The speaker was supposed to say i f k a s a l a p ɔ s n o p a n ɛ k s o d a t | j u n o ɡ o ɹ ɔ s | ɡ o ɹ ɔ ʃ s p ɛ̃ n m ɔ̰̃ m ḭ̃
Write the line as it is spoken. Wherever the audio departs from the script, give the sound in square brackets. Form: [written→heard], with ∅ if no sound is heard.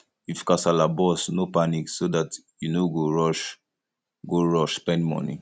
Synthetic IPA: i f k a s a l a [p→b] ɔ s n o p a n [ɛ→i] k s o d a t | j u n o ɡ o ɹ ɔ [s→ʃ] | ɡ o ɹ ɔ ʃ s p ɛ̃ n m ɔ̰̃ [m→n] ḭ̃